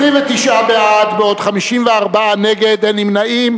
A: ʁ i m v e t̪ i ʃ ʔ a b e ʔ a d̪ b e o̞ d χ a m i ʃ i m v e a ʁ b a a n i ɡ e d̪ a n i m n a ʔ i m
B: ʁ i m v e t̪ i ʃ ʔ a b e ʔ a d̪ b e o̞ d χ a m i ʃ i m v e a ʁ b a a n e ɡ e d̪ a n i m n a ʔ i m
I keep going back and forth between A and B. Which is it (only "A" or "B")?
B